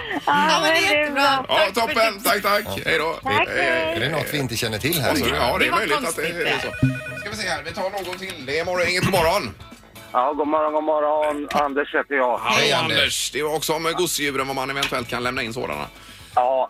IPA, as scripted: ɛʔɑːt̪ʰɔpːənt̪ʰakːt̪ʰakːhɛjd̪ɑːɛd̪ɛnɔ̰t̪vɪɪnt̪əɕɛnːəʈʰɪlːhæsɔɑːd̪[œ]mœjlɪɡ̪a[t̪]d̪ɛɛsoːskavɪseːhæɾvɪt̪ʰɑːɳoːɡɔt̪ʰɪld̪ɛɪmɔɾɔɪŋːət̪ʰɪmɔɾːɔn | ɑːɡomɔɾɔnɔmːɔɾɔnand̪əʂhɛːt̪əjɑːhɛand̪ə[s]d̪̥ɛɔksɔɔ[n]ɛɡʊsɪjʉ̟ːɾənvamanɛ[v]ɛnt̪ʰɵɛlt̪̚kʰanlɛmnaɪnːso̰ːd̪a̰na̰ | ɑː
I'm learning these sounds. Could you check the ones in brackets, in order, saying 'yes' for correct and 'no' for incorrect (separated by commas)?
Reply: no, yes, no, no, yes